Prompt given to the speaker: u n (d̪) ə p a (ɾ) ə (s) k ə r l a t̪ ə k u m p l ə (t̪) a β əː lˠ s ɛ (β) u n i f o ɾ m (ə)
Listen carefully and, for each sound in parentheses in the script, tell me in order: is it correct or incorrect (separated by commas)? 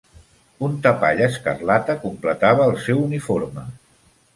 incorrect, incorrect, correct, correct, incorrect, correct